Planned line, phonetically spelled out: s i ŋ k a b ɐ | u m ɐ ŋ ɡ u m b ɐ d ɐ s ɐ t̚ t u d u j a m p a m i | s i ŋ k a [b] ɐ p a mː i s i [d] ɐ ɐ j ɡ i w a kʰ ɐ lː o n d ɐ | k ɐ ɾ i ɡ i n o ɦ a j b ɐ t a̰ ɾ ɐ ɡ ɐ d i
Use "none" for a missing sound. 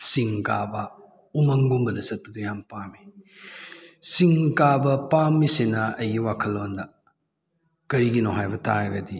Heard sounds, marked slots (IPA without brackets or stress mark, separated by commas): b, n